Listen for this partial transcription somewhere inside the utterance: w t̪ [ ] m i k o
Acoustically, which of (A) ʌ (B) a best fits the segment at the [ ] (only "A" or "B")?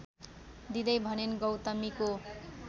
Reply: A